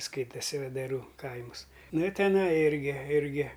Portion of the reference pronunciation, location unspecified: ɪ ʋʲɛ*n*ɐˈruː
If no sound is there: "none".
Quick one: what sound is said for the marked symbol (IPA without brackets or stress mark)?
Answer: d